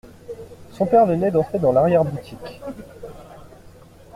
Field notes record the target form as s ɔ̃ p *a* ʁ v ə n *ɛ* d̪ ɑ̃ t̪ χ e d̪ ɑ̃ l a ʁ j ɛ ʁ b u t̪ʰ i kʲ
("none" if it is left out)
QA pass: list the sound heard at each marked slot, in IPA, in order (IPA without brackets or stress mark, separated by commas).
ɛ, ɛ